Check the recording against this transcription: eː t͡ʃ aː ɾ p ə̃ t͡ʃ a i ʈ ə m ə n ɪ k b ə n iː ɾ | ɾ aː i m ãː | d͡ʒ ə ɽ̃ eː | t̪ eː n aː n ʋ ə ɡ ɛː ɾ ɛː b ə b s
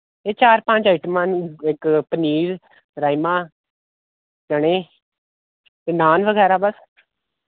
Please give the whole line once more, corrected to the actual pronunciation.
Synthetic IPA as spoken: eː t͡ʃ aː ɾ p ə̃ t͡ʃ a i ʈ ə m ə n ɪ k p ə n iː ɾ | ɾ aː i m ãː | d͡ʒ ə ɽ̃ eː | t̪ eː n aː n ʋ ə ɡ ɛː ɾ aː b ə s

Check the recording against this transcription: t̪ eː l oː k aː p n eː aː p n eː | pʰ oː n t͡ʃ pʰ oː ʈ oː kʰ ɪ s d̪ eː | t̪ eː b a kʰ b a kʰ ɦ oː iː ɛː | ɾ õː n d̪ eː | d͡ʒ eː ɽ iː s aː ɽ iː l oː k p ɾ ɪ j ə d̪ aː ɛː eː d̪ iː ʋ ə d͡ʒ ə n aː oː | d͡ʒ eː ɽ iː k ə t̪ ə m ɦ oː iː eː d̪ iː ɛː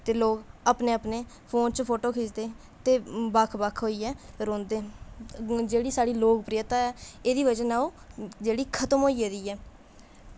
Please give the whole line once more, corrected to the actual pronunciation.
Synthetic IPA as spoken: t̪ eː l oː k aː p n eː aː p n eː | pʰ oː n t͡ʃ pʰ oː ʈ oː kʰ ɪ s d̪ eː | t̪ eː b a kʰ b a kʰ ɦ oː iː ɛː | ɾ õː n d̪ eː | d͡ʒ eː ɽ iː s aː ɽ iː l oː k p ɾ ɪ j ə t̪ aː ɛː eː d̪ iː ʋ ə d͡ʒ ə n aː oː | d͡ʒ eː ɽ iː kʰ ə t̪ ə m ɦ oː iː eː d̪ iː ɛː

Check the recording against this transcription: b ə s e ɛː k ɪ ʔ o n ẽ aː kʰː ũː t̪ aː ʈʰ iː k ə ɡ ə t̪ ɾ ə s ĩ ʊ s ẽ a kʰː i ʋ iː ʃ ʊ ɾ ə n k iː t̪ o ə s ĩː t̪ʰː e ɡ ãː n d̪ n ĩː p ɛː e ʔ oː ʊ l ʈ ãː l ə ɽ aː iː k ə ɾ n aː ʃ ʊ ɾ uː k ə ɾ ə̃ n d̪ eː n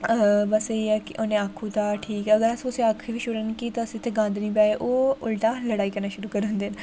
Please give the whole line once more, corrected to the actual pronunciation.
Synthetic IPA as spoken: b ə s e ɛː k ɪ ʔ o n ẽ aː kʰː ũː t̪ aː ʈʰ iː k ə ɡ ə ɾ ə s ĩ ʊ s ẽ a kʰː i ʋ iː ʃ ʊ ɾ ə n k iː t̪ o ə s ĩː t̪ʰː e ɡ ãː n d̪ n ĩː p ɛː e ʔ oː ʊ l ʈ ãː l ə ɽ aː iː k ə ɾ n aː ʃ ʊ ɾ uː k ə ɾ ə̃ n d̪ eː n

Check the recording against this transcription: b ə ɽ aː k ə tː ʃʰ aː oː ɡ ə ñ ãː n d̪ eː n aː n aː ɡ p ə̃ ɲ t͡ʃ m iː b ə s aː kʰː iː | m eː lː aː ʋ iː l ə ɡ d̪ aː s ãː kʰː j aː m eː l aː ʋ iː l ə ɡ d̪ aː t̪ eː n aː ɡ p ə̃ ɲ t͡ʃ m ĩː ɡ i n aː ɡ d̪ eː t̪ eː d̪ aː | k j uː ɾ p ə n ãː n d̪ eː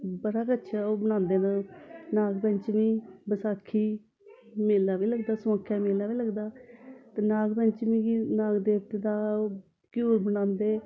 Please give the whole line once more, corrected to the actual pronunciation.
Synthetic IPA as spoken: b ə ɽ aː k ə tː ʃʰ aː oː b ə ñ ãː n d̪ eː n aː n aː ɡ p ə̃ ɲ t͡ʃ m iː b ə s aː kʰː iː | m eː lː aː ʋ iː l ə ɡ d̪ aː s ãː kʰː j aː m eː l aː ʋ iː l ə ɡ d̪ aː t̪ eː n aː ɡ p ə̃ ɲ t͡ʃ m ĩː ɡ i n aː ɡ d̪ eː t̪ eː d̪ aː | k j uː ɾ b ə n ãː n d̪ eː

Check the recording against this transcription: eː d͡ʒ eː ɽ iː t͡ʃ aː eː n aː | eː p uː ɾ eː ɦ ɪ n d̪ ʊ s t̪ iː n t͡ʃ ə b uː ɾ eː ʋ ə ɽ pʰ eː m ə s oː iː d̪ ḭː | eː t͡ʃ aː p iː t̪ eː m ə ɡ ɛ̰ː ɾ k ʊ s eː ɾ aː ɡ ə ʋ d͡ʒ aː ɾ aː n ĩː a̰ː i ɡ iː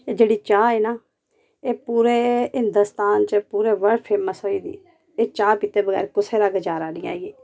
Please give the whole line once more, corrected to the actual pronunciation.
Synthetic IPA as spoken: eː d͡ʒ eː ɽ iː t͡ʃ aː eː n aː | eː p uː ɾ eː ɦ ɪ n d̪ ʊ s t̪ aː n t͡ʃ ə p uː ɾ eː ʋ ə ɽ pʰ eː m ə s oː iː d̪ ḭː | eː t͡ʃ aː p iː t̪ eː b ə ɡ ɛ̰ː ɾ k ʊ s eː ɾ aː ɡ ə d͡ʒ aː ɾ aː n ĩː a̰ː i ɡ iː

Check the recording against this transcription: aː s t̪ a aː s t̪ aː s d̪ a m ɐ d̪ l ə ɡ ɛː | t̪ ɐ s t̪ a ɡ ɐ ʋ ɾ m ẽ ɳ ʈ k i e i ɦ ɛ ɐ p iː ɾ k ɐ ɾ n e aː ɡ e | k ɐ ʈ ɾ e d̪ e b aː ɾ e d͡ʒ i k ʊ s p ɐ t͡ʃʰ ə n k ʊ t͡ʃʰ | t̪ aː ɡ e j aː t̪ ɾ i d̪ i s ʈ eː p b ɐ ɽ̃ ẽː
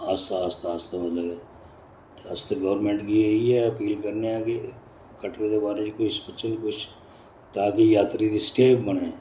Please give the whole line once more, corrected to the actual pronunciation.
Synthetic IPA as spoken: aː s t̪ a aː s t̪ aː s t̪ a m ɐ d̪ l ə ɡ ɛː | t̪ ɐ s t̪ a ɡ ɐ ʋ ɾ m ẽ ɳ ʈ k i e i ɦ ɛ ɐ p iː l k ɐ ɾ n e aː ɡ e | k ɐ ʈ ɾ e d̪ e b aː ɾ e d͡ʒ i k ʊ s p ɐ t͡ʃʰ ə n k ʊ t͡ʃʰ | t̪ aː k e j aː t̪ ɾ i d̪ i s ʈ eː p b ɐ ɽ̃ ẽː

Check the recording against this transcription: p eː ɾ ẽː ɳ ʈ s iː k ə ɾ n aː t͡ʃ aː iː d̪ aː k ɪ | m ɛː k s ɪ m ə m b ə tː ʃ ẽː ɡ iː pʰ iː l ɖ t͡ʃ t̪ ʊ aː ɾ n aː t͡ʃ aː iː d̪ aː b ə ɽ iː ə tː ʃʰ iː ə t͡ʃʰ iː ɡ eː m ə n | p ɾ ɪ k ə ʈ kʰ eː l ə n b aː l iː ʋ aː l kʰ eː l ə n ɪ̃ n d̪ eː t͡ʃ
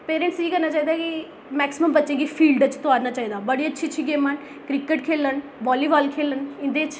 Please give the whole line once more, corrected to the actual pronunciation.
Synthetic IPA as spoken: p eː ɾ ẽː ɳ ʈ s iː k ə ɾ n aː t͡ʃ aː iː d̪ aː k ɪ | m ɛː k s ɪ m ə m b ə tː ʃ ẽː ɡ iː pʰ iː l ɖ t͡ʃ t̪ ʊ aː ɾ n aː t͡ʃ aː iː d̪ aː b ə ɽ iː ə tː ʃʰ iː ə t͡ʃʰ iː ɡ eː m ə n | k ɾ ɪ k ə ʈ kʰ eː l ə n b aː l iː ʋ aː l kʰ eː l ə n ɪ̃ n d̪ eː t͡ʃ

